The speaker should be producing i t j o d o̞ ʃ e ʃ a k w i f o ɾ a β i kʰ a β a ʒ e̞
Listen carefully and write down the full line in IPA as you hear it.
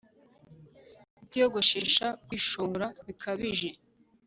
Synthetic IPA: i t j o ɡ o̞ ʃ e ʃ a k w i ʃ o ɾ a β i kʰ a β i ʒ e̞